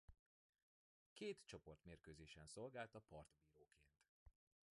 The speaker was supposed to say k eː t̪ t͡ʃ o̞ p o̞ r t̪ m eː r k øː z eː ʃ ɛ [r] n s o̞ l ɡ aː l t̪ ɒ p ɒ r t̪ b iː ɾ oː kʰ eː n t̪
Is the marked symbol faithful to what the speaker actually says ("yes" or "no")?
no